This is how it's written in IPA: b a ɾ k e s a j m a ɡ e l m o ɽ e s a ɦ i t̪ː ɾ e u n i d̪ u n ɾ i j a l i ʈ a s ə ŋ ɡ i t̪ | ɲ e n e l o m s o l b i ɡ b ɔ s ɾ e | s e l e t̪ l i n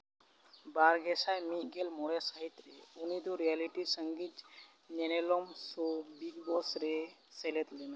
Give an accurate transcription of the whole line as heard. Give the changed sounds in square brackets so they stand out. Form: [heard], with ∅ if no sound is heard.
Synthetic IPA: b a ɾ [ɡ] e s a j m [i] ɡ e l m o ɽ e s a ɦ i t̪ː ɾ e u n i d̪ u [∅] ɾ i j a l i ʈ [i] s ə ŋ ɡ i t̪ | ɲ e n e l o m s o [∅] b i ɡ b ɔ s ɾ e | s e l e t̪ l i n